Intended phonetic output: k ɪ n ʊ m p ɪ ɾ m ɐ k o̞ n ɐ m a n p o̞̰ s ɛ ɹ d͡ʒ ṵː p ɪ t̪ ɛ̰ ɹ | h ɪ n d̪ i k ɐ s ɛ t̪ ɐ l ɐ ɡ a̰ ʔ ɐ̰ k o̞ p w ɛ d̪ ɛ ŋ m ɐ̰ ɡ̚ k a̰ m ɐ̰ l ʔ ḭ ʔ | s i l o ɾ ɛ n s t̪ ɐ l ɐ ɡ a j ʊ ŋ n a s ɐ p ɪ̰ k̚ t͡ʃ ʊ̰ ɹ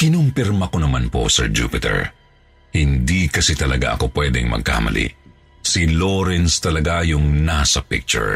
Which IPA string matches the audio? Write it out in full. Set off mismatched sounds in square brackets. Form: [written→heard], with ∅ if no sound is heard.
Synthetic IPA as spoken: k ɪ n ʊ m p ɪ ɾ m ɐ k o̞ n ɐ m a n p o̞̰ s ɛ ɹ d͡ʒ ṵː p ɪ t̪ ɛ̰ ɹ | h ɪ n d̪ i k ɐ s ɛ t̪ ɐ l ɐ ɡ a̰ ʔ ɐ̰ k o̞ p w ɛ d̪ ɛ ŋ m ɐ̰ ɡ̚ k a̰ m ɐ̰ l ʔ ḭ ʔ | s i l o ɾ ɛ n s t̪ ɐ l ɐ ɡ a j ʊ ŋ n a s ɐ p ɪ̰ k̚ t͡ʃ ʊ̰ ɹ